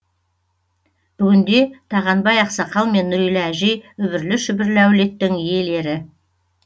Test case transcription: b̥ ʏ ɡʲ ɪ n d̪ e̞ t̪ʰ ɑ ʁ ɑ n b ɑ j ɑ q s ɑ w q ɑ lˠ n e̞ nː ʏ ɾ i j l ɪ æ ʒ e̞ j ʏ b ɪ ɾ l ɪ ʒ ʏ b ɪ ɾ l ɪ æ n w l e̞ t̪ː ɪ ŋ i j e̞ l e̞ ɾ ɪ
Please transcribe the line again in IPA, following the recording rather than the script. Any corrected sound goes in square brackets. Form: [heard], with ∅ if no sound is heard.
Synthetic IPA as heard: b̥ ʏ ɡʲ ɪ n d̪ e̞ t̪ʰ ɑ ʁ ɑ n b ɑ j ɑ q s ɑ [∅] q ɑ lˠ [m] e̞ nː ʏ ɾ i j l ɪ æ ʒ e̞ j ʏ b ɪ ɾ l ɪ [ʃ] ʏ b ɪ ɾ l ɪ æ [∅] w l e̞ t̪ː ɪ ŋ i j e̞ l e̞ ɾ ɪ

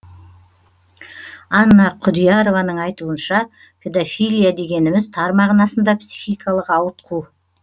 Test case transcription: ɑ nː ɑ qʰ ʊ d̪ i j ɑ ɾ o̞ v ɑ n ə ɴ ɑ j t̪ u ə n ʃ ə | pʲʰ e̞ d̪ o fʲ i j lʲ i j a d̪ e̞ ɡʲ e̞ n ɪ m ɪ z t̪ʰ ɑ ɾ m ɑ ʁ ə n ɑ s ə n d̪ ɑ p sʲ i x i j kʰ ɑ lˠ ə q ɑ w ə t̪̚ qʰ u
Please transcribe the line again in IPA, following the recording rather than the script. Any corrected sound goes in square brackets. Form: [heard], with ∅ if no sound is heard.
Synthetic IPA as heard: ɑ nː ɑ qʰ ʊ d̪ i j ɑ ɾ o̞ v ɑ n ə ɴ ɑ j t̪ u ə n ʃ [ɑ] | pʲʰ e̞ d̪ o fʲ i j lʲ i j a d̪ e̞ ɡʲ e̞ n ɪ m ɪ z t̪ʰ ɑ ɾ m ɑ ʁ ə n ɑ s ə n d̪ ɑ p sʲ i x i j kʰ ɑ lˠ ə q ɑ w ə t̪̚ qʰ u

